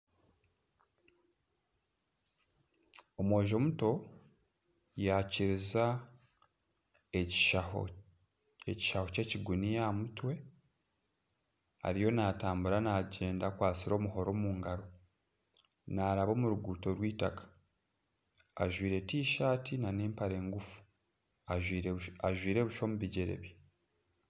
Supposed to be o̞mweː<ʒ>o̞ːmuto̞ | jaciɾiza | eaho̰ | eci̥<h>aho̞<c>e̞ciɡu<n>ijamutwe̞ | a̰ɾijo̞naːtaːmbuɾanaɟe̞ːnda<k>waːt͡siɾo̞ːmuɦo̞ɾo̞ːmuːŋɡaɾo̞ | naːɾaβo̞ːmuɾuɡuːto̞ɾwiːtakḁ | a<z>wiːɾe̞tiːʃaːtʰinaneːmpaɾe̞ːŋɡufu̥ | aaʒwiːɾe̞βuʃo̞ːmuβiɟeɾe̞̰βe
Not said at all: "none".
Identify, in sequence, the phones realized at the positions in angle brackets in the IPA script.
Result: ʒ, ʃ, c, n, k, ʒ

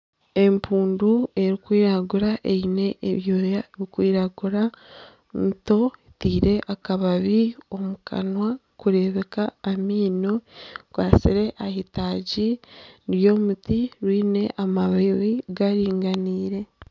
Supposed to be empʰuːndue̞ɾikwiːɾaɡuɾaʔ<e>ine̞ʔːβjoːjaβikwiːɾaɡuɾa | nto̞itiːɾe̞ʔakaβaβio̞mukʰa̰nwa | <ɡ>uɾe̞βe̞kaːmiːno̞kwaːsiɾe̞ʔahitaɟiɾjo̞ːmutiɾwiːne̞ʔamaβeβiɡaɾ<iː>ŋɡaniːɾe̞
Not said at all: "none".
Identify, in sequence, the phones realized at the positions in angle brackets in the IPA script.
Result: e, k, iː

